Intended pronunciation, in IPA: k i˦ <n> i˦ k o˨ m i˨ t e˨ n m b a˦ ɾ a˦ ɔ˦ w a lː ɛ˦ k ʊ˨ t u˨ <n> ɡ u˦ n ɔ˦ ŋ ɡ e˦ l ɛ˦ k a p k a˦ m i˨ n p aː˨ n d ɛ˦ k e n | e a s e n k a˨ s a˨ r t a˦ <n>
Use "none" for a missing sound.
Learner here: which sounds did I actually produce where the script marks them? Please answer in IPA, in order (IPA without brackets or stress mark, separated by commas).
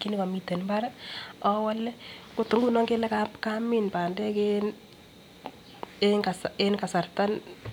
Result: n, ŋ, n